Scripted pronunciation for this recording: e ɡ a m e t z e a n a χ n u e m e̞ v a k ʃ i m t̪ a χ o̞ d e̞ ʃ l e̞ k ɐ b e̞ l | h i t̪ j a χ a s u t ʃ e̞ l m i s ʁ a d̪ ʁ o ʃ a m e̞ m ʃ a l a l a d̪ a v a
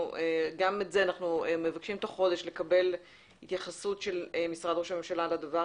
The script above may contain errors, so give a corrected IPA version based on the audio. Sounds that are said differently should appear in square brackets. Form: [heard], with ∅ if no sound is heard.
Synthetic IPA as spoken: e ɡ a m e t z e a n a χ n u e m e̞ v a k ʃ i m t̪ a χ o̞ d e̞ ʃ l e̞ k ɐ b e̞ l | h i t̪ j a χ a s u t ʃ e̞ l m i s ʁ a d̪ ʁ o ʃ a m e̞ m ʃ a l a l a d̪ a v a